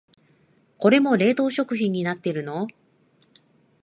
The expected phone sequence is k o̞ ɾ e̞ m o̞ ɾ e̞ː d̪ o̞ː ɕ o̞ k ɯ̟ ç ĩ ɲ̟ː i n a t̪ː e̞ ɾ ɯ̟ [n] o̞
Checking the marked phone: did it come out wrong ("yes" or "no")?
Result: no